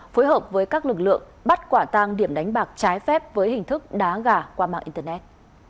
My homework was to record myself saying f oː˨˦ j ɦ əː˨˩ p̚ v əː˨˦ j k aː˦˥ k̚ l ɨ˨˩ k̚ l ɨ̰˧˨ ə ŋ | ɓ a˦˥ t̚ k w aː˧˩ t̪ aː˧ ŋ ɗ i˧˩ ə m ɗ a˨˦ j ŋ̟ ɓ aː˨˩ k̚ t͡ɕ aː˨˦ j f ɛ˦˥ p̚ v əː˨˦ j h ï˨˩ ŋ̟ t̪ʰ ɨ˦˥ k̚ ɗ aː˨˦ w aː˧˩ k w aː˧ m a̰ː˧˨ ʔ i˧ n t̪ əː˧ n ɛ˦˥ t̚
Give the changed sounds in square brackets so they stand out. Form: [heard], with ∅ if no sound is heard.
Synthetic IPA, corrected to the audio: f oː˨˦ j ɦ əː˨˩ p̚ v əː˨˦ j k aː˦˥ k̚ l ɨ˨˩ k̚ l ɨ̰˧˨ ə ŋ | ɓ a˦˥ t̚ k w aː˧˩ t̪ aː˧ ŋ ɗ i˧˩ ə m ɗ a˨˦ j ŋ̟ ɓ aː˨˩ k̚ t͡ɕ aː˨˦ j f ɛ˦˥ p̚ v əː˨˦ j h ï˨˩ ŋ̟ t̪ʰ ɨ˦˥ k̚ ɗ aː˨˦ [ɣ] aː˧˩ k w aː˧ m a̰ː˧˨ ʔ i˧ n t̪ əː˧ n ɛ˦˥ t̚